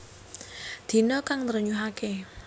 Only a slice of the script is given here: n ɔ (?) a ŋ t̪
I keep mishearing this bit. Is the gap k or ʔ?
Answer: k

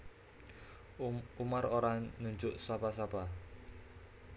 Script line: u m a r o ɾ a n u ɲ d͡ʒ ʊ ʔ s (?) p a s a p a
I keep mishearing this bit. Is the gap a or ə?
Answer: a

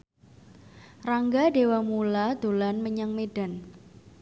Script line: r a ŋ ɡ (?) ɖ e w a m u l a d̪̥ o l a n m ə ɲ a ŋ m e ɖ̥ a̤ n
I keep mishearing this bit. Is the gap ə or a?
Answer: a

